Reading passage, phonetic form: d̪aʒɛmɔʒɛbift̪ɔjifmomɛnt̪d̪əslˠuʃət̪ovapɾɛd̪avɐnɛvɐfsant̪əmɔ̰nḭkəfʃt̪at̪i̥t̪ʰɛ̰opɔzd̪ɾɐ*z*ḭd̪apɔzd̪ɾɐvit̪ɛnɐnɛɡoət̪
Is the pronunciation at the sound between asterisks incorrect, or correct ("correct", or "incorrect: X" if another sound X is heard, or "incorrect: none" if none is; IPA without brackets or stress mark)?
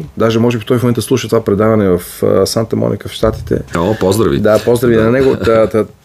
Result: incorrect: v